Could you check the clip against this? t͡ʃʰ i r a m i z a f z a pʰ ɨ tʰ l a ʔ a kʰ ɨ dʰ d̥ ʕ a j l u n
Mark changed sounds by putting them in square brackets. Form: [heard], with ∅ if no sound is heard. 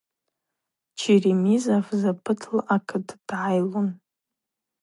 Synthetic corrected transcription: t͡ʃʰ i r [i] m i z a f z a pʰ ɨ tʰ l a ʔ a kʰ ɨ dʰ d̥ ʕ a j l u n

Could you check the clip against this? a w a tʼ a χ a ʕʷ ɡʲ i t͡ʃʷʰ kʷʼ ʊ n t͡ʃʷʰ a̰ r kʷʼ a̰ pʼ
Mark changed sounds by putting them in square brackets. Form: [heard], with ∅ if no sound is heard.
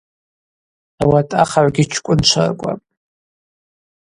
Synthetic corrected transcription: a w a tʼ a χ a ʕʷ ɡʲ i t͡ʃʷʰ kʷʼ ʊ n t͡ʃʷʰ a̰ r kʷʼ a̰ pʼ

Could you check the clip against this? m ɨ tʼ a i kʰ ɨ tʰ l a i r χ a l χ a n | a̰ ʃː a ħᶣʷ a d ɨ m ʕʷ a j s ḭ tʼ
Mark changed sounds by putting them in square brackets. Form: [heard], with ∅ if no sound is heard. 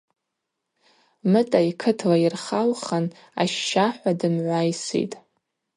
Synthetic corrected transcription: m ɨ tʼ a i kʰ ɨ tʰ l a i r χ a l χ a n | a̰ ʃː a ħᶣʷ a d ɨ m ʕʷ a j s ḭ tʼ

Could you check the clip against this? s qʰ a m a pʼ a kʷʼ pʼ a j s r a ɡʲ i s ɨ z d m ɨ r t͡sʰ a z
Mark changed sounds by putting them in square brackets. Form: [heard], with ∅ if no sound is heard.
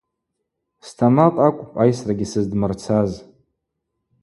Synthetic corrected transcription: s [tʰ] a m a [qʼ] a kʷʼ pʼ a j s r a ɡʲ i s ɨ z d m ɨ r t͡sʰ a z

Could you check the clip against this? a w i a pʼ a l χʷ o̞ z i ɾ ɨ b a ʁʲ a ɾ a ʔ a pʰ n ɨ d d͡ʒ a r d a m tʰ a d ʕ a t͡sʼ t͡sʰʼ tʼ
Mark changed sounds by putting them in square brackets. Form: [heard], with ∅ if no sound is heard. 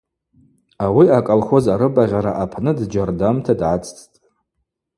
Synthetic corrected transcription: a w i a [kʼ] a l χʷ o̞ z [a] ɾ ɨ b a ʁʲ a ɾ a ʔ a pʰ n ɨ d d͡ʒ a r d a m tʰ a d ʕ a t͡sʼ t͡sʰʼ tʼ

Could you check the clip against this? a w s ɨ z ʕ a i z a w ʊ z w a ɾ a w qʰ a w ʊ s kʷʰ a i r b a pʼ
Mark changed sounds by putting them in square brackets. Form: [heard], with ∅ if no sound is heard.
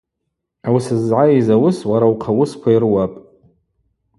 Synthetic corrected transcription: a w s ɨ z ʕ a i z a w ʊ [s] w a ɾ a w qʰ a w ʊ s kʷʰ a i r [w] a pʼ

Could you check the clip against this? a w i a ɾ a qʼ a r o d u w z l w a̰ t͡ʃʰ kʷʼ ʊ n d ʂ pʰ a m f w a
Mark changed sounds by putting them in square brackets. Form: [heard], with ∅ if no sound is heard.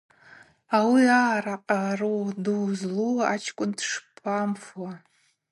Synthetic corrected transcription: a w i a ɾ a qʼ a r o d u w z l [u] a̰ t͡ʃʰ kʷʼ ʊ n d ʂ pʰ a m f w a

